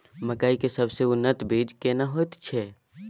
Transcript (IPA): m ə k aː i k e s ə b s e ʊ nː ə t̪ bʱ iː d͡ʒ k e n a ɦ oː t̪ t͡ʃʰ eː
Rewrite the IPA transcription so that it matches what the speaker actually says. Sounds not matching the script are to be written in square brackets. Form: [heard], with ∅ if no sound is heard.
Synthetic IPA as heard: m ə k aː i k e s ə b s e ʊ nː ə t̪ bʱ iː d͡ʒ k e n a ɦ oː t̪ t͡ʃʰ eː